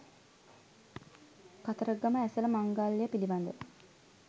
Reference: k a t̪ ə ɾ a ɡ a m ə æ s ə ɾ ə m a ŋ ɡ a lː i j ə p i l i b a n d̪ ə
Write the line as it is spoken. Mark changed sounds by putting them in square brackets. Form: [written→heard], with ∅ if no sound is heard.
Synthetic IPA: k a t̪ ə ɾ [a→ə] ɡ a m ə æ s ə [ɾ→l] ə m a ŋ ɡ a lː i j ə p i l i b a n d̪ ə